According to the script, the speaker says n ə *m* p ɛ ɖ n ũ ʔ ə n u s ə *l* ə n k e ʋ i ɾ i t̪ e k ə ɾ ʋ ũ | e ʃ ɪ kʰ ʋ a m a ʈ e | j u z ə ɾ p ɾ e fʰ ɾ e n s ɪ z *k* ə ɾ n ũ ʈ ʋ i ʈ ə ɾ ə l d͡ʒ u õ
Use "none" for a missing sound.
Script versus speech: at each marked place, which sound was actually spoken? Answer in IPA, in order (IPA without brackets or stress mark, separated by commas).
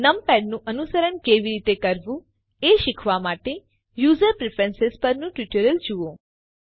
m, ɾ, p